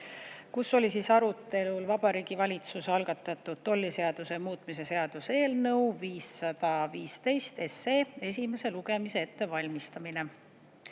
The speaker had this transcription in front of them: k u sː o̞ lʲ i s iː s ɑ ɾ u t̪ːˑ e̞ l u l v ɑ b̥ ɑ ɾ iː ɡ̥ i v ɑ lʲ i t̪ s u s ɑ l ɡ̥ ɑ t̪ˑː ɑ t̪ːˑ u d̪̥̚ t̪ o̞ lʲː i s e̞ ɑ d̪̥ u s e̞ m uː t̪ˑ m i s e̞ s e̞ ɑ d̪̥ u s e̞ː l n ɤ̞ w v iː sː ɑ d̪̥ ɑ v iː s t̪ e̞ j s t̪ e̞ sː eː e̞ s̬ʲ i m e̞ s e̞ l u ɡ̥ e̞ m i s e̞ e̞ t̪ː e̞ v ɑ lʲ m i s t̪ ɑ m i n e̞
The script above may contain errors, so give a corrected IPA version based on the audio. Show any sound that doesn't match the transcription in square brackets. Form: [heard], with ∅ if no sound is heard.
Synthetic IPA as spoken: k u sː o̞ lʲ i s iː s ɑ ɾ u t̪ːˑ e̞ l u l v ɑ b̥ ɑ ɾ iː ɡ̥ i v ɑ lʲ i t̪ s u s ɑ l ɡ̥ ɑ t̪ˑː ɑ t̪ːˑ u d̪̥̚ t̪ o̞ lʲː i s e̞ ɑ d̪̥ u s e̞ m uː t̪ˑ m i s e̞ s e̞ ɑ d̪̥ u s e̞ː l n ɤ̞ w v iː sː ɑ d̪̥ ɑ v iː s t̪ e̞ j s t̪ e̞ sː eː e̞ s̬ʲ i m e̞ s e̞ l u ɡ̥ e̞ m i s e̞ e̞ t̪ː e̞ v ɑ lʲ m i s t̪ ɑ m i n e̞